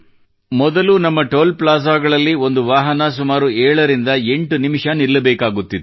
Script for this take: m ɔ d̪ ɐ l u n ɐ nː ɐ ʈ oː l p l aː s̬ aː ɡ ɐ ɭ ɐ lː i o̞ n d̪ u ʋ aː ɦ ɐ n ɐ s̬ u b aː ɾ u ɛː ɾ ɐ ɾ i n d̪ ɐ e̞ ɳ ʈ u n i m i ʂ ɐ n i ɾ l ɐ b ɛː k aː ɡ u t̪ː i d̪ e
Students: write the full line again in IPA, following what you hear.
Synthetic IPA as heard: m ɔ d̪ ɐ l u n ɐ mː ɐ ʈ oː l p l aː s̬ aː ɡ ɐ ɭ ɐ lː i o̞ n d̪ u ʋ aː ɦ ɐ n ɐ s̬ u m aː ɾ u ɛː ɭ ɐ ɾ i n d̪ ɐ e̞ ɳ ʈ u n i m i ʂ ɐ n i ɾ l ɐ b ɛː k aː ɡ u t̪ː i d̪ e